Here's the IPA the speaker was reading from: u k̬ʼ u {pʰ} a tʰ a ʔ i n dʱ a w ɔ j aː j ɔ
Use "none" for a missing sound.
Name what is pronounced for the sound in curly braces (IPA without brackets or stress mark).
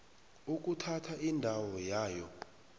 tʰ